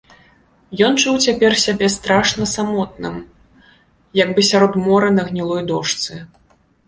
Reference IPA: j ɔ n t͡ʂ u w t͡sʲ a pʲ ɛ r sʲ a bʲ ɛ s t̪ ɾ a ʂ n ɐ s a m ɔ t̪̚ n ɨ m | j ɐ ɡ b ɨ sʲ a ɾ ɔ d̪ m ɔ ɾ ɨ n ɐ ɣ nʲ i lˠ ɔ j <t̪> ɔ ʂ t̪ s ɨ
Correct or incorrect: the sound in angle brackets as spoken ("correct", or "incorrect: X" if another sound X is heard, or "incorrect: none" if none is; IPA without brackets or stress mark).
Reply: incorrect: d̪